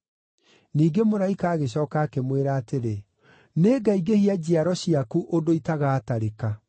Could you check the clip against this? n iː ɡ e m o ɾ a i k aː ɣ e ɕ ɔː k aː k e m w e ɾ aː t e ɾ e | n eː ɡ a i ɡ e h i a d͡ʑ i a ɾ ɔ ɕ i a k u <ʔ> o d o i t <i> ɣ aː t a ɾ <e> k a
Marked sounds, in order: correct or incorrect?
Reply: correct, incorrect: a, correct

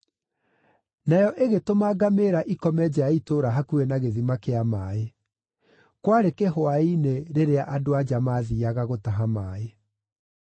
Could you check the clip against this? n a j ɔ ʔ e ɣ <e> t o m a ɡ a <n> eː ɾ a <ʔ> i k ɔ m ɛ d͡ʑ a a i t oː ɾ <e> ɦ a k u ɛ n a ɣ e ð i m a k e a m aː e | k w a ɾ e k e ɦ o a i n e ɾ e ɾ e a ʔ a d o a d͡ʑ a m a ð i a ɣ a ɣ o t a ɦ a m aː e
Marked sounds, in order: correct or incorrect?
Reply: correct, incorrect: m, correct, incorrect: a

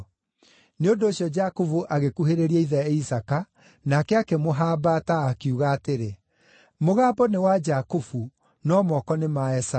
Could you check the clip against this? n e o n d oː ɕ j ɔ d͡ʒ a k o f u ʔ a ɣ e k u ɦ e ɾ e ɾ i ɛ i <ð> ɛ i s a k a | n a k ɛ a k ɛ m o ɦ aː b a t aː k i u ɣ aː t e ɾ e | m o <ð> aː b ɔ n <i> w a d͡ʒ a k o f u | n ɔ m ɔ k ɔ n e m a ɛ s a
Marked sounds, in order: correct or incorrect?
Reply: correct, incorrect: ɣ, incorrect: e

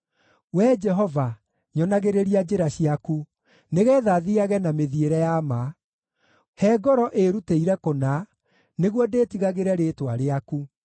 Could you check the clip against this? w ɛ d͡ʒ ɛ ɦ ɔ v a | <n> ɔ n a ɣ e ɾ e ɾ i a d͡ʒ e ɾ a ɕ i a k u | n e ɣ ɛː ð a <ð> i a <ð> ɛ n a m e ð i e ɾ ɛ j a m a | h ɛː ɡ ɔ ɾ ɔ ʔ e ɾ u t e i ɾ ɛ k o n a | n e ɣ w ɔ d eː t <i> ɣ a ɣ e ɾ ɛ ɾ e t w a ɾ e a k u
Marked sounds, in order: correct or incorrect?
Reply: incorrect: ɲ, correct, incorrect: ɣ, correct

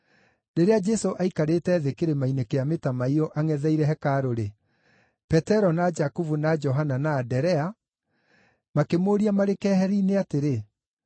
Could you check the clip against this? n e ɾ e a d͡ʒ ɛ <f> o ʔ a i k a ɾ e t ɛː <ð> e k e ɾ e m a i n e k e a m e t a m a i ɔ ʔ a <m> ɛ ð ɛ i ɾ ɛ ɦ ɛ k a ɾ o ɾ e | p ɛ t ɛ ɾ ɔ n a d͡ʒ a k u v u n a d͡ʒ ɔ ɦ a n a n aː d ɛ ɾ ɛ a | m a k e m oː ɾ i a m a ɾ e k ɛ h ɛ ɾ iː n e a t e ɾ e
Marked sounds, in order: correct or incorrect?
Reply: incorrect: s, correct, incorrect: ŋ

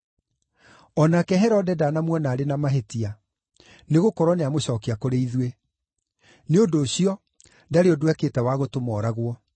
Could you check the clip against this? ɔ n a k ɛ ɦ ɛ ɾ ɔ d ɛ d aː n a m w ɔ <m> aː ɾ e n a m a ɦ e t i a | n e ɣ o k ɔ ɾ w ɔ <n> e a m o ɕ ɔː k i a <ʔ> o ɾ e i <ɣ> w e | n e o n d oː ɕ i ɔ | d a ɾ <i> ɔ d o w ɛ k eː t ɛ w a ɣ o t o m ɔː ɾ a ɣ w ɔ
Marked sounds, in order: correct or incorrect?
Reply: incorrect: n, correct, incorrect: k, incorrect: ð, incorrect: e

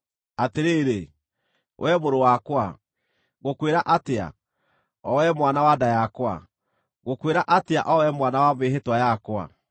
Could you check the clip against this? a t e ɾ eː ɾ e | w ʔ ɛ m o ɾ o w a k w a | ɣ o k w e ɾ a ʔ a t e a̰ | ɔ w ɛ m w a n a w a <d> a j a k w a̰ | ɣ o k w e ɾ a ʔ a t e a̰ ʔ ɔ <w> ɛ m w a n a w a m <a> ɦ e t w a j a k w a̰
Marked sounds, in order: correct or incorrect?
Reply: correct, correct, incorrect: e

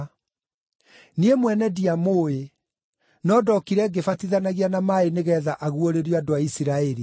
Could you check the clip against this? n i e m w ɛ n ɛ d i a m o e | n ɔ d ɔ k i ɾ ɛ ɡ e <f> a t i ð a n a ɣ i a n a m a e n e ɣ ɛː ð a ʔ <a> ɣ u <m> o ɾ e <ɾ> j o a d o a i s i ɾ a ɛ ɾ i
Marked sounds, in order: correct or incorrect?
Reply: correct, correct, incorrect: none, correct

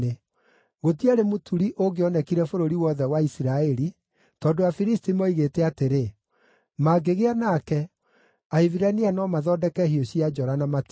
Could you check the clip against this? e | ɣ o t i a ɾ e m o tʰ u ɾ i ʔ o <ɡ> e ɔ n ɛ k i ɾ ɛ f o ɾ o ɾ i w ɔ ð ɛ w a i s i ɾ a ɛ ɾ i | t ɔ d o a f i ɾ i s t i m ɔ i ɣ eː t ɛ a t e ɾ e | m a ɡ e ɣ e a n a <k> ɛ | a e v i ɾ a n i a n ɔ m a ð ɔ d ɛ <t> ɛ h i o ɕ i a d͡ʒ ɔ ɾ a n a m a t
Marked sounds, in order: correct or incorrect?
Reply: correct, correct, incorrect: k

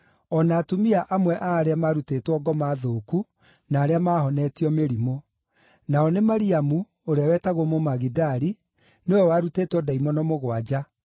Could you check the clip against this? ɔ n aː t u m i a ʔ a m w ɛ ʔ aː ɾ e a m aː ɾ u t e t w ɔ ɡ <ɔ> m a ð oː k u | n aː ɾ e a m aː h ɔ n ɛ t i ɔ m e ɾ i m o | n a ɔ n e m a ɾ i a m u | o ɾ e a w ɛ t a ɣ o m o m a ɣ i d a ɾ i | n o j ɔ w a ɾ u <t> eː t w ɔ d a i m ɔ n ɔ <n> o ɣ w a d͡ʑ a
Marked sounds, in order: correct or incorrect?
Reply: correct, correct, incorrect: m

